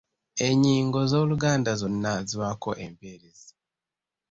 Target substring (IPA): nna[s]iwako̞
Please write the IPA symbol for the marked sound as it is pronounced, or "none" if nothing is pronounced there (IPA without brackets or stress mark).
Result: z